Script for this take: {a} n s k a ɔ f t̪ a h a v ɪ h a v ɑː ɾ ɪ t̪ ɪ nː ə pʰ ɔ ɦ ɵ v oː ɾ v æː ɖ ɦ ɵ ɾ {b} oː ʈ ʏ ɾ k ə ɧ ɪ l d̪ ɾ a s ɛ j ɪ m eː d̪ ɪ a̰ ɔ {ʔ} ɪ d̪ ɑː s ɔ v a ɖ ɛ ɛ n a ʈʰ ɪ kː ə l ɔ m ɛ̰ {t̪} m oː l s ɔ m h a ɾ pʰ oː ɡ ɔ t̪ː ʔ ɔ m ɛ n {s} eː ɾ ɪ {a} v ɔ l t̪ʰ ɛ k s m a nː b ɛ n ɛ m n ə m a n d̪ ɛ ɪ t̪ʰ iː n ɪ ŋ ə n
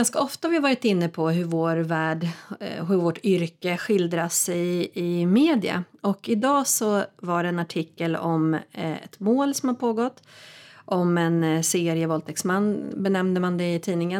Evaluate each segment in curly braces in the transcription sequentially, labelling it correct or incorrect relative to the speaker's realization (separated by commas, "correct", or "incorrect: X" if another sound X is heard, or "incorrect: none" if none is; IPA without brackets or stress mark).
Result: correct, incorrect: v, incorrect: k, correct, correct, incorrect: ə